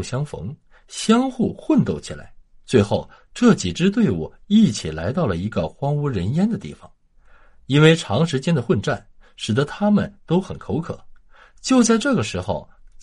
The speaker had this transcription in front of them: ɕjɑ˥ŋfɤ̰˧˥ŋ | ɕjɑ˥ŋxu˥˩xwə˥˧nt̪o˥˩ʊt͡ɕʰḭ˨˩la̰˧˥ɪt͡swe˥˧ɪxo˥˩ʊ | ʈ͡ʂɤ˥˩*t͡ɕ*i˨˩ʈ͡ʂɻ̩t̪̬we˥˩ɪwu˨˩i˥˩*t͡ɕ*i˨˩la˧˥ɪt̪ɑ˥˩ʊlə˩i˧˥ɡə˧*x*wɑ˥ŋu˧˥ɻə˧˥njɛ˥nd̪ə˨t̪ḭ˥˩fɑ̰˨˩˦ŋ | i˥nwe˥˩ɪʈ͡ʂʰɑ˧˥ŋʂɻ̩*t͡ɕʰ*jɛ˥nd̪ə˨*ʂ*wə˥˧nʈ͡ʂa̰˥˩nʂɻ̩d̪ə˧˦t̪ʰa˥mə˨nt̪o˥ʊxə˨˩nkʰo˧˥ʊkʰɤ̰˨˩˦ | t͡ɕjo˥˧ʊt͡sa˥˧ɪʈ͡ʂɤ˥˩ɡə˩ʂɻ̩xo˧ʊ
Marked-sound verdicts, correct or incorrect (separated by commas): correct, incorrect, correct, incorrect, incorrect